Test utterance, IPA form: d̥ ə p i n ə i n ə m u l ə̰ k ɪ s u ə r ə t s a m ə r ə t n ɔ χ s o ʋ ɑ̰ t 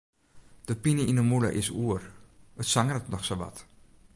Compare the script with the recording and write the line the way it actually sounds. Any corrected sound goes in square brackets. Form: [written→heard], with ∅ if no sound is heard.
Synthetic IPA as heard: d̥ ə p i n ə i n ə m u l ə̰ [k→ʔ] ɪ s u ə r ə t s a [m→ŋ] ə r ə t n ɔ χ s o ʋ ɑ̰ t